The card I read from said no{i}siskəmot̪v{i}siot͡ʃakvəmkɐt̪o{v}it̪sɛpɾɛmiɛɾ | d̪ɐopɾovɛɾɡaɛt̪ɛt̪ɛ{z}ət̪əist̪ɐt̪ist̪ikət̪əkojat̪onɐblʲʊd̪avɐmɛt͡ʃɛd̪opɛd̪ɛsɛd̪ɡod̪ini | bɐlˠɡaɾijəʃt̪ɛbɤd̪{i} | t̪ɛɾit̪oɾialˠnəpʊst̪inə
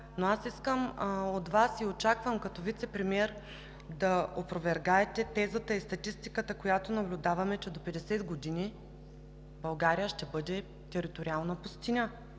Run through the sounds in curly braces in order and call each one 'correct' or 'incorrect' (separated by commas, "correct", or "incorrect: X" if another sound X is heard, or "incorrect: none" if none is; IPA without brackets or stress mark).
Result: incorrect: a, incorrect: a, correct, correct, incorrect: ɛ